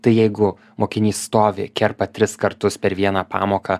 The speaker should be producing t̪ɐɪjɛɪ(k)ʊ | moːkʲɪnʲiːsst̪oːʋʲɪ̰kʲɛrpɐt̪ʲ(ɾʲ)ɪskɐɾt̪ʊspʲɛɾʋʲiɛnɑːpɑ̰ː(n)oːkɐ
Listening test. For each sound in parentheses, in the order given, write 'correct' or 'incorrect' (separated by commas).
incorrect, correct, incorrect